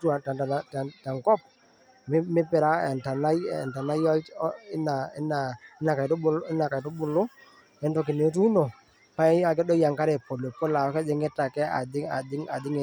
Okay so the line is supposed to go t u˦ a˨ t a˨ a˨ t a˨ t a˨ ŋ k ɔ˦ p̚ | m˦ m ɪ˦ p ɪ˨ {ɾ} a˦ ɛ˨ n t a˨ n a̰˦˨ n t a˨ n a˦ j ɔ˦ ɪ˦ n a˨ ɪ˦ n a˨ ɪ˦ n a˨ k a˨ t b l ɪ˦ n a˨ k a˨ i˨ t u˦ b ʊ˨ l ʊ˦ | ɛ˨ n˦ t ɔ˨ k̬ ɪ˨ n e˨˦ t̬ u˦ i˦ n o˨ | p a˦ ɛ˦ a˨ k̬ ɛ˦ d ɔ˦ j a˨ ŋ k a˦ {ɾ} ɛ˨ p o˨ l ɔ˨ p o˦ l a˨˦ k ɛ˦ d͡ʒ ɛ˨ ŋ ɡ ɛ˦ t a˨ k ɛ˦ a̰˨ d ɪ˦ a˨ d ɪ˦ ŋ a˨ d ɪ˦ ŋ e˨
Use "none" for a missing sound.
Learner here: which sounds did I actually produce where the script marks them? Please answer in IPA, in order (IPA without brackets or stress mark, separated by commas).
ɾ, ɾ